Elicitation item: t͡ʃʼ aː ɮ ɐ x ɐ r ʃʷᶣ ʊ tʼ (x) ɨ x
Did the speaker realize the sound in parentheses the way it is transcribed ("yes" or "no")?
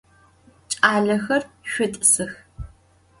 no